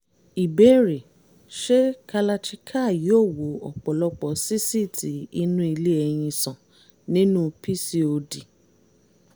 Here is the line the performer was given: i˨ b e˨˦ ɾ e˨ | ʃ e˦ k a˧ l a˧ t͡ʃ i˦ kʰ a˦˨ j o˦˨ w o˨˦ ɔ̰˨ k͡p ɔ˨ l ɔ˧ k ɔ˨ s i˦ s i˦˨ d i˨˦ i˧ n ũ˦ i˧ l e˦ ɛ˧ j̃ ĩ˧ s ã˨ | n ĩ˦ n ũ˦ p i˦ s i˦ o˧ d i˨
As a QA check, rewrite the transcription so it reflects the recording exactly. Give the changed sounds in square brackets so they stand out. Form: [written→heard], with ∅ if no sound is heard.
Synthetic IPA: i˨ b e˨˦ ɾ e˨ | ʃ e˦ k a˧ l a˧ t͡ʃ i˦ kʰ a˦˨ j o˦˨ w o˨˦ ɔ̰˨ k͡p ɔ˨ l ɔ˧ [k→k͡p] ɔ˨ s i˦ s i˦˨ [d→t] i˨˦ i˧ n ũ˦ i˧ l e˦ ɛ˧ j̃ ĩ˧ s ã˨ | n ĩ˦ n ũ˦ p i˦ s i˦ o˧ d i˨